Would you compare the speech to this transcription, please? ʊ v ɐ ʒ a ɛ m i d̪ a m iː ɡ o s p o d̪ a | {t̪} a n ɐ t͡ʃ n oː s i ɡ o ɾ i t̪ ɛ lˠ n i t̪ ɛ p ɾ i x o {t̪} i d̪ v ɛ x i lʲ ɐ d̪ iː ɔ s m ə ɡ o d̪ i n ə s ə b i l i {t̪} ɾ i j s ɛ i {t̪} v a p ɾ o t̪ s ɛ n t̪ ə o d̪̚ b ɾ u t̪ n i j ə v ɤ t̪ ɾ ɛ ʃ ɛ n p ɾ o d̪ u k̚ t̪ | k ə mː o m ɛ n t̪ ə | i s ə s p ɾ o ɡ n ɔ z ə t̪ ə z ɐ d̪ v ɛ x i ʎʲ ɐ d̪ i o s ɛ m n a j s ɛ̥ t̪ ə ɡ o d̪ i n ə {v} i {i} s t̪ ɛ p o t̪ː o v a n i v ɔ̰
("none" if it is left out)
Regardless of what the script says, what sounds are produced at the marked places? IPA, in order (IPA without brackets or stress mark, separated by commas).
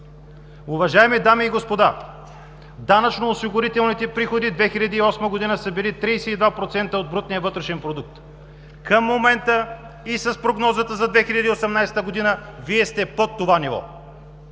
d̪, d̪, t̪, d̪, v, ɛ